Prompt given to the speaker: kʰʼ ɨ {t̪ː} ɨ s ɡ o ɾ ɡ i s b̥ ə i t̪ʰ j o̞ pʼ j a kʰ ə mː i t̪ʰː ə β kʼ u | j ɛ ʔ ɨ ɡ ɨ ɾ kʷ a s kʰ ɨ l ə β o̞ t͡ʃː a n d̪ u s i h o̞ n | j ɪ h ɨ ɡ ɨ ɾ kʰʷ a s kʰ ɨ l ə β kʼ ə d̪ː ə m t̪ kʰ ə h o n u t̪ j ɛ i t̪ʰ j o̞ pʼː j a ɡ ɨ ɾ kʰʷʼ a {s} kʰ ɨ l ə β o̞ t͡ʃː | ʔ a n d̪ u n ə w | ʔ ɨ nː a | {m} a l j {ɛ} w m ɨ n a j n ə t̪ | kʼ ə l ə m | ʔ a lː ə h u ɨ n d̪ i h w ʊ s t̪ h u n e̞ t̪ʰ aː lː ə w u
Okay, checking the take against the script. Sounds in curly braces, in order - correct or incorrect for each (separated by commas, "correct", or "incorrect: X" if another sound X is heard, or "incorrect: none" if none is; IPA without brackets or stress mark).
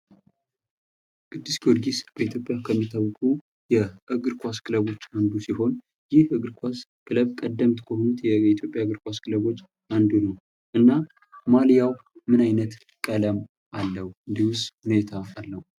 incorrect: d̪ː, correct, correct, incorrect: a